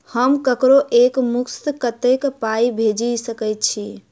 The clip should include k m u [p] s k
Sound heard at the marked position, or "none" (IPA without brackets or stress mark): k